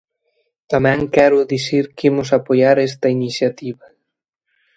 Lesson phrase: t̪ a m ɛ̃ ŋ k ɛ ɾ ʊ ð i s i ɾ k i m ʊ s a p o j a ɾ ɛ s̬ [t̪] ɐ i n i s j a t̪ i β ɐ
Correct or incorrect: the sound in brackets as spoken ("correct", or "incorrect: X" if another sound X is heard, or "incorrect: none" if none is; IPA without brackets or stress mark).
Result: correct